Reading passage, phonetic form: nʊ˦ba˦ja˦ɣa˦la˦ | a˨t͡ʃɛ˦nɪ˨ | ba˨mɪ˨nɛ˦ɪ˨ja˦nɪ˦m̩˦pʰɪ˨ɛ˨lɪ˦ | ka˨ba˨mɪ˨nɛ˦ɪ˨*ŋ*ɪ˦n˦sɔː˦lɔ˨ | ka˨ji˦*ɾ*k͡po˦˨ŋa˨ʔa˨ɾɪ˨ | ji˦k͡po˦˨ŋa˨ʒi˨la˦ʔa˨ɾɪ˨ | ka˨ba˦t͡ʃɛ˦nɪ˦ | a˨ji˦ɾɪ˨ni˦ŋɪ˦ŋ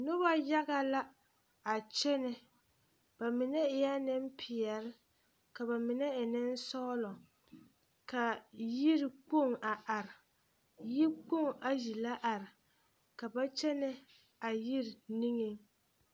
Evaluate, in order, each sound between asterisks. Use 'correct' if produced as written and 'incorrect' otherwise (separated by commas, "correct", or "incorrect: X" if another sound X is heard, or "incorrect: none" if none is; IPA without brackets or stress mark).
incorrect: n, correct